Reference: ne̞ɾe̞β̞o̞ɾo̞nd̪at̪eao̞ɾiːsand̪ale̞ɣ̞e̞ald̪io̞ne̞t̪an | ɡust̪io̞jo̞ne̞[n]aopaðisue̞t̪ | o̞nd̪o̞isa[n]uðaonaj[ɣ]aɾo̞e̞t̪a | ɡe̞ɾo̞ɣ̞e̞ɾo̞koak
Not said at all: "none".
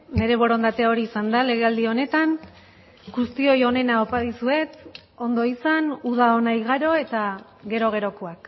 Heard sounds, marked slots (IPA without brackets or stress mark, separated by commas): n, n, ɣ